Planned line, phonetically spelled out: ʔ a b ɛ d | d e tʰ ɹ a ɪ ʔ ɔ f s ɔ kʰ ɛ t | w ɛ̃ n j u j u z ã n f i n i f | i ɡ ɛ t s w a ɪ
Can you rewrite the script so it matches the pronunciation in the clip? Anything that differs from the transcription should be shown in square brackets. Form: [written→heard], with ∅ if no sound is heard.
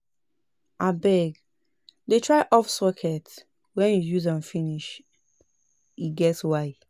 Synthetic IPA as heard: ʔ a b ɛ [d→ɡ] | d e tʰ ɹ a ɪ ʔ ɔ f s ɔ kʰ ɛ t | w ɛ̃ n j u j u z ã n f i n i [f→ʃ] | i ɡ ɛ t s w a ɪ